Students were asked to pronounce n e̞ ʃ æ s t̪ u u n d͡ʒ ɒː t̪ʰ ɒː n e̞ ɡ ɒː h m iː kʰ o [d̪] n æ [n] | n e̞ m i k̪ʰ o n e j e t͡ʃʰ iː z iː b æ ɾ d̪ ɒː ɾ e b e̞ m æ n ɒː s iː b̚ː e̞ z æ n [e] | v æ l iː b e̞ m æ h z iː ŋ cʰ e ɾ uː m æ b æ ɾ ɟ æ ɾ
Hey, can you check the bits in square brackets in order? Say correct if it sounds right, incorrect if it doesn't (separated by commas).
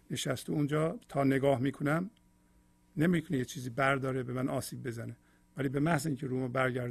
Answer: incorrect, incorrect, correct